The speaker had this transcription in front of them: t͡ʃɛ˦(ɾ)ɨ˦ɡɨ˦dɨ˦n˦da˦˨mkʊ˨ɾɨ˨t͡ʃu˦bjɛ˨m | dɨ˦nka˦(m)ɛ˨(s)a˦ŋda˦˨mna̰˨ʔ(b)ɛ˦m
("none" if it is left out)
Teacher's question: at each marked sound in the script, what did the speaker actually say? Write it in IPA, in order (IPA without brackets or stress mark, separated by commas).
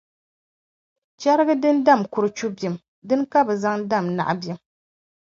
ɾ, b, z, b